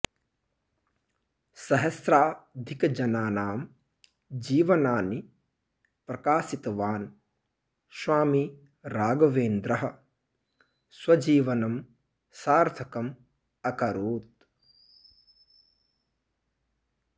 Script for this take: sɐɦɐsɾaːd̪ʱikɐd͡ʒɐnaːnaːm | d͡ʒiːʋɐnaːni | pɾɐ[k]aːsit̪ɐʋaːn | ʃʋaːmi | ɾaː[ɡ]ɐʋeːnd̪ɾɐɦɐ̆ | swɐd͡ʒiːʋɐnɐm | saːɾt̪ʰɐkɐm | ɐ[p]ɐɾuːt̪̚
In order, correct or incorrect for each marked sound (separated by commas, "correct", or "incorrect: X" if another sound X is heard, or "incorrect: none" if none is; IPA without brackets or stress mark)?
correct, correct, incorrect: k